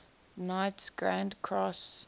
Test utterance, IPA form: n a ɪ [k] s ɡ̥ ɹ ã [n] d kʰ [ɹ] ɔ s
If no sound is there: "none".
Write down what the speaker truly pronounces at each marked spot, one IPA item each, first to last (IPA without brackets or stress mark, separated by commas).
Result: t, n, ɹ